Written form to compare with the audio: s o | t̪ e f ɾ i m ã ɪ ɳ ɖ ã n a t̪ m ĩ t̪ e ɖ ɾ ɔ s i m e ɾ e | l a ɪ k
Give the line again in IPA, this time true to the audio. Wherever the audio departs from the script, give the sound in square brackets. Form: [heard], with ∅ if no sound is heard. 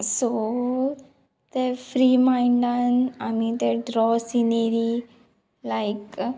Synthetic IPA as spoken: s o | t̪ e f ɾ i m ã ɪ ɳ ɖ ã n a [∅] m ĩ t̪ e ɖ ɾ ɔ s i [n] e ɾ [i] | l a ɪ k